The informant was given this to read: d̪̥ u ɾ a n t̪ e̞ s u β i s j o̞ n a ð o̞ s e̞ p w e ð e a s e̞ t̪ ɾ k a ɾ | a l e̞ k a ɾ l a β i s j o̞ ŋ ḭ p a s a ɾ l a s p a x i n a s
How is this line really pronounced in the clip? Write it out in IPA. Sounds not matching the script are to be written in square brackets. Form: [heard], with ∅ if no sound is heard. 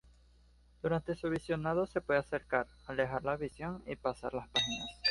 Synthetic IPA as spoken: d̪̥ u ɾ a n t̪ e̞ s u β i s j o̞ n a ð o̞ s e̞ p w e ð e a s e̞ [∅] ɾ k a ɾ | a l e̞ [x] a ɾ l a β i s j o̞ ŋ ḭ p a s a ɾ l a s p a x i n a s